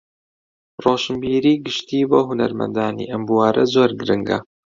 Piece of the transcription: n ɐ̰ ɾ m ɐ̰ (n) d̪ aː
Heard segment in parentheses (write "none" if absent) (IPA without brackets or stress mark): n